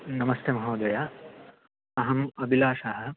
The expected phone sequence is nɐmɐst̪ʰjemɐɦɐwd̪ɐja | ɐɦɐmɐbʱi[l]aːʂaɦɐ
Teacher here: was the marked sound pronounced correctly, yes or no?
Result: yes